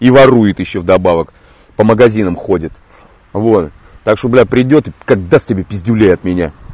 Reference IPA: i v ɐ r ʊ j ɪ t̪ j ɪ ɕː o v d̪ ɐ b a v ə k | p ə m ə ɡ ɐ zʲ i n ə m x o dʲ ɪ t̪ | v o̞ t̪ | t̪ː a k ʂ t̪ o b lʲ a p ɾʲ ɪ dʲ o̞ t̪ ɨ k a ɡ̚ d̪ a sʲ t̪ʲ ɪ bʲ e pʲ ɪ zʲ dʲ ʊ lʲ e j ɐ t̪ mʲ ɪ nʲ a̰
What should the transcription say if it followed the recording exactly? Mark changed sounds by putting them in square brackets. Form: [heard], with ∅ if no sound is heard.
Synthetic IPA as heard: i v ɐ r [u] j ɪ t̪ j ɪ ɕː o v d̪ ɐ b a v ə k | p ə m ə ɡ ɐ zʲ i n ə m x o dʲ ɪ t̪ | v o̞ t̪ | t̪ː a k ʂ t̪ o b lʲ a p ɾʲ ɪ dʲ o̞ t̪ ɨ k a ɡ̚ d̪ a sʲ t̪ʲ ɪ bʲ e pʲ ɪ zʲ dʲ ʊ lʲ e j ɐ t̪ mʲ ɪ nʲ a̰

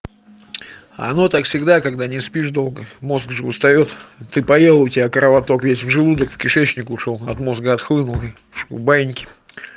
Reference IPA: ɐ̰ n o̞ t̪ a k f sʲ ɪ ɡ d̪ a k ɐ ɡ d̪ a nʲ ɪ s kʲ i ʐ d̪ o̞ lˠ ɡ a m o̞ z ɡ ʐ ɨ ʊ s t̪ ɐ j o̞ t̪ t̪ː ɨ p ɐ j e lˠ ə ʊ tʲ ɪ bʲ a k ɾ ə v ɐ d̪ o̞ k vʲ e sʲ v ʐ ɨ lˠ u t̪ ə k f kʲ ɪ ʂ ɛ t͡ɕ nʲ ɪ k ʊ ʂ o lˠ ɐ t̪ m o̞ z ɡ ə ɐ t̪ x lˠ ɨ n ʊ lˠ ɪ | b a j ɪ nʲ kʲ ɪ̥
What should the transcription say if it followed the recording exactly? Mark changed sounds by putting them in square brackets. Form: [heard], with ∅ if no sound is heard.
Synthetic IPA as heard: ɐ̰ n o̞ t̪ a k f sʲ ɪ ɡ d̪ a k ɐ ɡ d̪ a nʲ ɪ s [pʲ] i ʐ d̪ o̞ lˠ ɡ [ə] m o̞ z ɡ ʐ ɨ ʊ s t̪ ɐ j o̞ t̪ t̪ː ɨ p ɐ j e lˠ ə ʊ tʲ ɪ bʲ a k ɾ ə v ɐ [t̪] o̞ k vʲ e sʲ v ʐ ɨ lˠ u [d̪] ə k f kʲ ɪ ʂ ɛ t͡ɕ nʲ ɪ k ʊ ʂ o lˠ ɐ t̪ m o̞ z ɡ ə ɐ t̪ x lˠ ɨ n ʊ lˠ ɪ | b a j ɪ nʲ kʲ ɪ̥

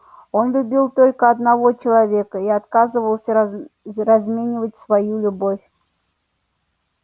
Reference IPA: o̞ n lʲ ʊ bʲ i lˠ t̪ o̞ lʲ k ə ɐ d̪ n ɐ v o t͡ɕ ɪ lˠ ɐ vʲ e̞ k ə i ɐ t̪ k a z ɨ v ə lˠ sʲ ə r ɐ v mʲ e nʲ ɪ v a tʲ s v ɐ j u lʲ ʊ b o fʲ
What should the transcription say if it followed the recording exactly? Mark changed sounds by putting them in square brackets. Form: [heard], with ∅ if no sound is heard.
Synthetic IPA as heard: o̞ n lʲ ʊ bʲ i lˠ t̪ o̞ lʲ k ə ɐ d̪ n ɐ v o t͡ɕ ɪ lˠ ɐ vʲ e̞ k ə i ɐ t̪ k a z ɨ v ə lˠ sʲ ə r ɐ [z] mʲ e nʲ ɪ v [ə] tʲ s v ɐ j u lʲ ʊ b o fʲ

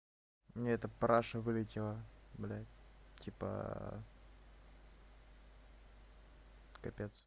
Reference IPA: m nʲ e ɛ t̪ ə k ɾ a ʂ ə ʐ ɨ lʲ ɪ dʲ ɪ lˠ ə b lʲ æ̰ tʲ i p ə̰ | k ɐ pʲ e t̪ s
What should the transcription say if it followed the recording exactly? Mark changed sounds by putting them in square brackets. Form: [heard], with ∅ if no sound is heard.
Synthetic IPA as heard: m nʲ e ɛ t̪ ə [p] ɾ a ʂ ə [v] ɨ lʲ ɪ [tʲ] ɪ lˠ ə b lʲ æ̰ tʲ i p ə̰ | k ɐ pʲ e t̪ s

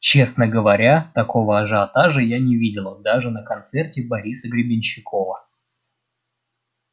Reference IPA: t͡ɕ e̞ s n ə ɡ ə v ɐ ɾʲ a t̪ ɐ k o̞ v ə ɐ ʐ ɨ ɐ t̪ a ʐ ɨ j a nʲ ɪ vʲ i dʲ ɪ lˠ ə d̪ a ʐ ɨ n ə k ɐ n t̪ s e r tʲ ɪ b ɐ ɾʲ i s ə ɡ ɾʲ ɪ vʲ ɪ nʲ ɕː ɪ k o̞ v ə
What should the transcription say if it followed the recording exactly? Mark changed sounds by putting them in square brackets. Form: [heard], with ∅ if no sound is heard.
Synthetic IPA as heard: t͡ɕ e̞ s n ə ɡ ə v ɐ ɾʲ a t̪ ɐ k o̞ v ə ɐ ʐ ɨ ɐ t̪ a ʐ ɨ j a nʲ ɪ vʲ i dʲ ɪ lˠ ə d̪ a ʐ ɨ n ə k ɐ n t̪ s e r tʲ ɪ b ɐ ɾʲ i s ə ɡ ɾʲ ɪ [bʲ] ɪ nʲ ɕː ɪ k o̞ v ə

